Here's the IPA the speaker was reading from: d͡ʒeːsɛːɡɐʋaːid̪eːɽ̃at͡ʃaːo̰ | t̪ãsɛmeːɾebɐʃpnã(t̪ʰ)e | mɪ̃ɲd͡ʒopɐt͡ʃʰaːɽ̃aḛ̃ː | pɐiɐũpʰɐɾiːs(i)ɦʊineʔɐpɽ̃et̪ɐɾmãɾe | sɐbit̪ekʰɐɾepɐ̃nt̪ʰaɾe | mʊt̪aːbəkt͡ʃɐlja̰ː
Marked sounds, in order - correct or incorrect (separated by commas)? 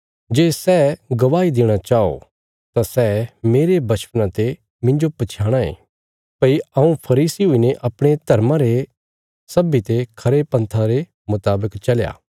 incorrect, correct